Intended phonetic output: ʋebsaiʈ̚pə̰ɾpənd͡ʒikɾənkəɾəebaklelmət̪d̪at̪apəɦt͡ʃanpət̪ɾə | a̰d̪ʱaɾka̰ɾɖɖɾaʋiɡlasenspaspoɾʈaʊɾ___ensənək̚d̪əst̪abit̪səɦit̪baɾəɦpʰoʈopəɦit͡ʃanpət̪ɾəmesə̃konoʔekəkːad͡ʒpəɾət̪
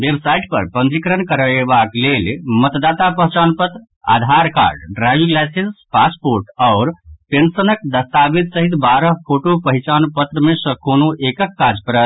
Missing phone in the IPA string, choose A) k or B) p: B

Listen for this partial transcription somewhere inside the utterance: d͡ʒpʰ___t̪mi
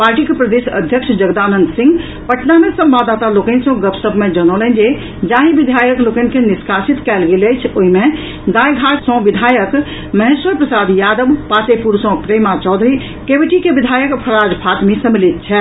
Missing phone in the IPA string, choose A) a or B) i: A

